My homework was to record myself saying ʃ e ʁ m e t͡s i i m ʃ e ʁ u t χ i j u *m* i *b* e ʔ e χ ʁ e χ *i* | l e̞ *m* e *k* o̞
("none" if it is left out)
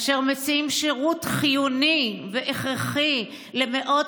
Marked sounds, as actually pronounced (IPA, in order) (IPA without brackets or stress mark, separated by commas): n, v, i, m, ʔ